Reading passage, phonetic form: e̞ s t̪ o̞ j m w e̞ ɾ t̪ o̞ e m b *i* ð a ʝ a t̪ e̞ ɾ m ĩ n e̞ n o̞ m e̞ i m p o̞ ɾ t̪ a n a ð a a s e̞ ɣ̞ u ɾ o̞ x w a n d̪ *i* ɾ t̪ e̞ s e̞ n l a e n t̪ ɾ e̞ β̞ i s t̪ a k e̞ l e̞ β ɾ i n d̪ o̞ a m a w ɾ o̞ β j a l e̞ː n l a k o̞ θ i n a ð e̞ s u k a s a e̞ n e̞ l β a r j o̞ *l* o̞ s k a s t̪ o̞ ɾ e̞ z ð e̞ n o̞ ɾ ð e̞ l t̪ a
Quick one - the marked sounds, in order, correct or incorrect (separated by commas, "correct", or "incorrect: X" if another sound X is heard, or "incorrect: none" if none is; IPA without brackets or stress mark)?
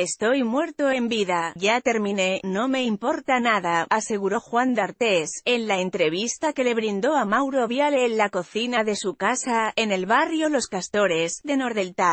correct, incorrect: a, correct